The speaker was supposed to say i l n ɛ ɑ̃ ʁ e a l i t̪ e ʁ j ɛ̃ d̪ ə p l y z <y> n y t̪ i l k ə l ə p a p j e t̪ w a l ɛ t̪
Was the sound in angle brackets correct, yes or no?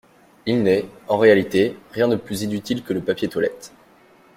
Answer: no